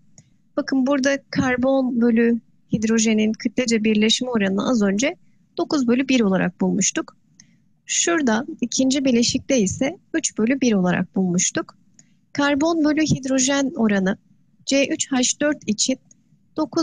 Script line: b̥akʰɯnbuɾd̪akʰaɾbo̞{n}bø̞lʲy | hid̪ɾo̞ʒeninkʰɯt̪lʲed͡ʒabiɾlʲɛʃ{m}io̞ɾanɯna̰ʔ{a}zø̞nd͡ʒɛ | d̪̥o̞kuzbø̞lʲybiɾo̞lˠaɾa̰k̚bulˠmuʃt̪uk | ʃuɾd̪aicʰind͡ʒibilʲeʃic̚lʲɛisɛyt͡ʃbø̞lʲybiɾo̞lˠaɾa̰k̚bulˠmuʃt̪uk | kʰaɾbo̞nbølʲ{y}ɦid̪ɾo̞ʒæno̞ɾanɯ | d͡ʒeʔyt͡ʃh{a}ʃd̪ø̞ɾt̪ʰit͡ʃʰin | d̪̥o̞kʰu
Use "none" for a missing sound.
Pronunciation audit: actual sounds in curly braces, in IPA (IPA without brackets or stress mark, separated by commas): n, m, a, y, a